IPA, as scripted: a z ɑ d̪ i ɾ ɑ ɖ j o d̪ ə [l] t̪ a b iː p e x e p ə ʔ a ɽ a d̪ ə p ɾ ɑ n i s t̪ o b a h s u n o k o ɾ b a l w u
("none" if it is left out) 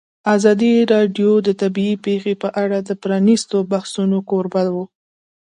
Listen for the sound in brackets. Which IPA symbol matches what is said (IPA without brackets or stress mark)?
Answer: none